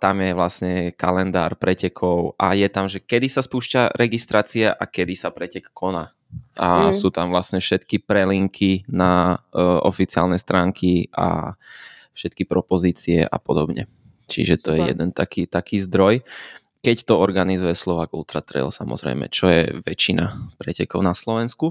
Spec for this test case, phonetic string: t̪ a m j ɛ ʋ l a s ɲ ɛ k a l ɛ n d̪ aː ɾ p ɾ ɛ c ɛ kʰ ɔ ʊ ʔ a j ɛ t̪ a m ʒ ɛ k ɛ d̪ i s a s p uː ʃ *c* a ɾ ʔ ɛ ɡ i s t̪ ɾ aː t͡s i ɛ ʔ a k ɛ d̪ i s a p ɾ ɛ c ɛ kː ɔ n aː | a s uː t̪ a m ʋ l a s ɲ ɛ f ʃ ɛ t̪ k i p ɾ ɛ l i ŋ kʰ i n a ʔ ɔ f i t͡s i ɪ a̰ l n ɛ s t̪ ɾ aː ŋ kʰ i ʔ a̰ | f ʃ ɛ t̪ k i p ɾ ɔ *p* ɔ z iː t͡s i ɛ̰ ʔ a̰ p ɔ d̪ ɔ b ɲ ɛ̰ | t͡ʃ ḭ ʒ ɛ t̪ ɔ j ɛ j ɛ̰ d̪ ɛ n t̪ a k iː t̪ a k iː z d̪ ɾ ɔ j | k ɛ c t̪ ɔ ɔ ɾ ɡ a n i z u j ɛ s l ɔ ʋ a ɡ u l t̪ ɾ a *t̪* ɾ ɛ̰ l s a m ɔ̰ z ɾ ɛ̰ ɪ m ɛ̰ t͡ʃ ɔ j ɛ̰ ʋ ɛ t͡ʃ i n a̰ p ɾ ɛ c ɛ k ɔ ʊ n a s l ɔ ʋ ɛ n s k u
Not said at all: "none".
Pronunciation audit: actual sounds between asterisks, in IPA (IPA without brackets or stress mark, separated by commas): c, p, t̪